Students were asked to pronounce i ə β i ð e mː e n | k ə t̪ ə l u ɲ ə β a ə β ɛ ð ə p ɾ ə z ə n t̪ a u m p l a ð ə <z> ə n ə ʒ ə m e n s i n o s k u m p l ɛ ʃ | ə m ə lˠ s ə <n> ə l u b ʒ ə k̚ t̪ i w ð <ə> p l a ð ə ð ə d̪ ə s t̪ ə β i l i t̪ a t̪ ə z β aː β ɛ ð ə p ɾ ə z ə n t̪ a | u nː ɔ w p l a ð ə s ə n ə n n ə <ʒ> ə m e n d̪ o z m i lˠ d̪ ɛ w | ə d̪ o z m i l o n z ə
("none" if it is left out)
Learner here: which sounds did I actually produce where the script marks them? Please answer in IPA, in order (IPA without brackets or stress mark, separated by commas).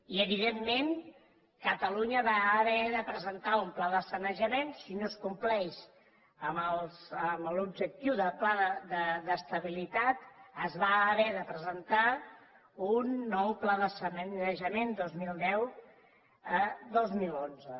s, m, ə, ʒ